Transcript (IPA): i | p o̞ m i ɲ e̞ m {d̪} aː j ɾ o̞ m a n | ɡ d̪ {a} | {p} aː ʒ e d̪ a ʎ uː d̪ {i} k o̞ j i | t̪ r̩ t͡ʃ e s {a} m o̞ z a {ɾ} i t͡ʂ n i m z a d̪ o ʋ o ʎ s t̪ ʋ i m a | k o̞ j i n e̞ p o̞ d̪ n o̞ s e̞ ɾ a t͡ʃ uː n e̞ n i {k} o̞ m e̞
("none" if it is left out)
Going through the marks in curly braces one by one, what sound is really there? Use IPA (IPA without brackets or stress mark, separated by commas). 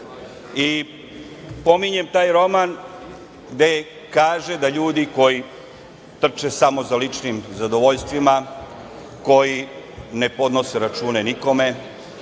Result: t̪, e, k, i, a, l, k